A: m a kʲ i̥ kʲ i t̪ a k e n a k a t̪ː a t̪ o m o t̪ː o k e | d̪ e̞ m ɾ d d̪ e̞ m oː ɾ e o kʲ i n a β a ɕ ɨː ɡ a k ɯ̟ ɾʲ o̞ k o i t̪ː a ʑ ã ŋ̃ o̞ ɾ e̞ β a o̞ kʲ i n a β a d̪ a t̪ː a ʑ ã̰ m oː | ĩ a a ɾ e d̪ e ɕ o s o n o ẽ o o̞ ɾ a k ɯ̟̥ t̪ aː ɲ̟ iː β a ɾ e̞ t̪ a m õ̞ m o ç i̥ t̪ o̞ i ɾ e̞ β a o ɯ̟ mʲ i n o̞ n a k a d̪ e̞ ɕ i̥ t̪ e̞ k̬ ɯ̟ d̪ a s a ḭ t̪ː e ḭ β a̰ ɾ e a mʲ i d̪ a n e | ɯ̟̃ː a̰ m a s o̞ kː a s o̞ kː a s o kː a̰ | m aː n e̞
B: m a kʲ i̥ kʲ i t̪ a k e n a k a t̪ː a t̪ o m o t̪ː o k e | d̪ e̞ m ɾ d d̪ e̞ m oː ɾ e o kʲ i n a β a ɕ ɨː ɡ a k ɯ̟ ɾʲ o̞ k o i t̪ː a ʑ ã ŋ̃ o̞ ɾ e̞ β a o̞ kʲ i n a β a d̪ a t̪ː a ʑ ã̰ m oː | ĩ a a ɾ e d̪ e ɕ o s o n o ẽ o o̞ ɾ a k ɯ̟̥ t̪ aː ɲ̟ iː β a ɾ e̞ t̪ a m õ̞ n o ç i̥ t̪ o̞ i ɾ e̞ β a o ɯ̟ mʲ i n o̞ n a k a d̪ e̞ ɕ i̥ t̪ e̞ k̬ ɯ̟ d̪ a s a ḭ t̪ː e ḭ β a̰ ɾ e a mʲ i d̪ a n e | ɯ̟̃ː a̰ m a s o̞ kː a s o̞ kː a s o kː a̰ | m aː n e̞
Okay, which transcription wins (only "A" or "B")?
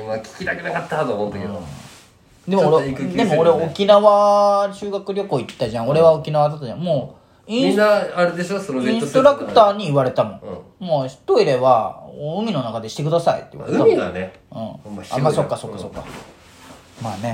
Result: A